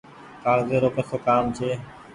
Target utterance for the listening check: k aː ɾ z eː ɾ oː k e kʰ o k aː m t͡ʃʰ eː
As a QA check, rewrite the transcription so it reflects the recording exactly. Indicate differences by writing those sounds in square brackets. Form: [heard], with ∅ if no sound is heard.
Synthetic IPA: k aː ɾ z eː ɾ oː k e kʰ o k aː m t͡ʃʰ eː